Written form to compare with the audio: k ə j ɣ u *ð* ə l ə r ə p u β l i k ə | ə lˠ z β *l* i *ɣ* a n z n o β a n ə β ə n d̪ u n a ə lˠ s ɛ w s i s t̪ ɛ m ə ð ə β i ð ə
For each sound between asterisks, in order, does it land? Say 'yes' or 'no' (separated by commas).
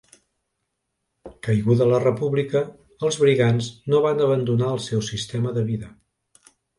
yes, no, yes